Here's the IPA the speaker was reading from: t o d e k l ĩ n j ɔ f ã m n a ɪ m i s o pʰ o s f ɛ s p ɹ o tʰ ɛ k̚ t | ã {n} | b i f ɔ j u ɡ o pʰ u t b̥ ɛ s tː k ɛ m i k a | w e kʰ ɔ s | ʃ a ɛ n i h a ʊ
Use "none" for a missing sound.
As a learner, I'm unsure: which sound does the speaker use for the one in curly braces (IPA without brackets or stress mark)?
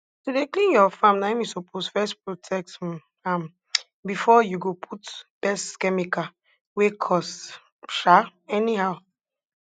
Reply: m